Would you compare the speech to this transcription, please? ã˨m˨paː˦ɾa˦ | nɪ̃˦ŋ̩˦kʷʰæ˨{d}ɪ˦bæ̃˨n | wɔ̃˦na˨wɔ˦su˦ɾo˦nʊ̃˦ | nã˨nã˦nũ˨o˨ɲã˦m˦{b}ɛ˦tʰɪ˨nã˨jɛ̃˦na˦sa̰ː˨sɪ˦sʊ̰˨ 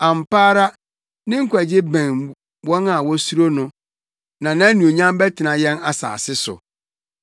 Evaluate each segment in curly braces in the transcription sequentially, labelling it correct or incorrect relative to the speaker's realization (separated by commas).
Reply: incorrect, correct